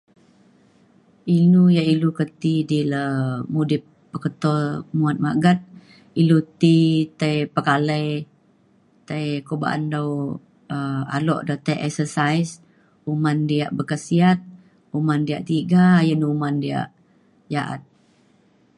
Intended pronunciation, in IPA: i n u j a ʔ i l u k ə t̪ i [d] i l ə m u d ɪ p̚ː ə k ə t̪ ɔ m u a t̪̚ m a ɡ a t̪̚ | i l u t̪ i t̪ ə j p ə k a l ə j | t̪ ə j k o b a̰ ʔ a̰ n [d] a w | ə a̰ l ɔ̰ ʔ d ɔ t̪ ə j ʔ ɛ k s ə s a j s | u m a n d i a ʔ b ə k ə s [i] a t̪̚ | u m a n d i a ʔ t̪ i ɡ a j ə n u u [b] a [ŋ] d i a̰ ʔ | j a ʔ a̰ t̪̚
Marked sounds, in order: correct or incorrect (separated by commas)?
correct, correct, correct, incorrect, incorrect